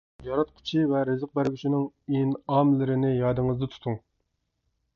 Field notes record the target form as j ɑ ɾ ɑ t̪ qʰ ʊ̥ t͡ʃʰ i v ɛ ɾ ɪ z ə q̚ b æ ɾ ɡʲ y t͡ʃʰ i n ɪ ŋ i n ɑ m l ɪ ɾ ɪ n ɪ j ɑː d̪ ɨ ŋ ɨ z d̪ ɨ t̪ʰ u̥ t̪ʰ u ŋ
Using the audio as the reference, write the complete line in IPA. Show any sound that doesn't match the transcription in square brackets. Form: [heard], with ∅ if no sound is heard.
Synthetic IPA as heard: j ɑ ɾ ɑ t̪ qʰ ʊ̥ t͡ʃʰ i v ɛ ɾ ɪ z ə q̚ b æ ɾ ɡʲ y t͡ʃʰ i n ɪ ŋ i n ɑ m l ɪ ɾ ɪ n ɪ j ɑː d̪ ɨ ŋ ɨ z d̪ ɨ t̪ʰ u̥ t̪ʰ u ŋ